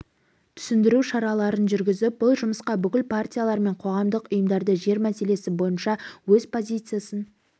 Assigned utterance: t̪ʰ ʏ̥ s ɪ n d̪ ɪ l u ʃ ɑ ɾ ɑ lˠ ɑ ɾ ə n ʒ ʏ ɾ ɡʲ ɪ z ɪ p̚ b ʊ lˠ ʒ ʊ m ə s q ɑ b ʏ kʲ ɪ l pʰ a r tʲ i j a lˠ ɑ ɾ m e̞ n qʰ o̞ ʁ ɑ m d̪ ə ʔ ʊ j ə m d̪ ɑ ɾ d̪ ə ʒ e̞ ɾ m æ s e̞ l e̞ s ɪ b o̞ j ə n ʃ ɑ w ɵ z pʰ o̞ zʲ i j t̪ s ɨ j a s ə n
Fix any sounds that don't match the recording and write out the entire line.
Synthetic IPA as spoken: t̪ʰ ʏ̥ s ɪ n d̪ ɪ ɾ u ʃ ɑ ɾ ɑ lˠ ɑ ɾ ə n ʒ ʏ ɾ ɡʲ ɪ z ɪ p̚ b ʊ lˠ ʒ ʊ m ə s q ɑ b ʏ kʲ ɪ l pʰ a r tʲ i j a lˠ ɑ ɾ m e̞ ɴ qʰ o̞ ʁ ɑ m d̪ ə q ʊ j ə m d̪ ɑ ɾ d̪ ə ʒ e̞ ɾ m æ s e̞ l e̞ s ɪ b o̞ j ə n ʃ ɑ w ɵ z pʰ o̞ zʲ i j t̪ s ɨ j a s ə n